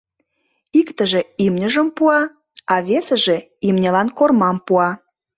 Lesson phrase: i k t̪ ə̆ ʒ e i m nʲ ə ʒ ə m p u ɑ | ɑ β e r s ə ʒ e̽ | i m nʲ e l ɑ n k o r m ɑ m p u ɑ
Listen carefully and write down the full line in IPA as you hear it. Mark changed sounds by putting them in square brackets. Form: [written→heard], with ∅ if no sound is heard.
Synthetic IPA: i k t̪ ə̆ ʒ e i m nʲ ə ʒ ə m p u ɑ | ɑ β e [r→∅] s ə ʒ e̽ | i m nʲ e l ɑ n k o r m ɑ m p u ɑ